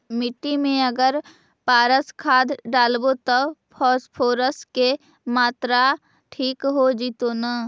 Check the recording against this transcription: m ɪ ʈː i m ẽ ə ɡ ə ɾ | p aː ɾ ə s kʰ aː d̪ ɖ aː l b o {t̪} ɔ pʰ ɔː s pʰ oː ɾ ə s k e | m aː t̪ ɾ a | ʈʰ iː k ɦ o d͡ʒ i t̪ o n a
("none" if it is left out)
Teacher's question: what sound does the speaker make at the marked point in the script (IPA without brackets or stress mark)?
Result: t̪